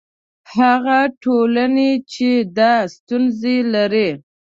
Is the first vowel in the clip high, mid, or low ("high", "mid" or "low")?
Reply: low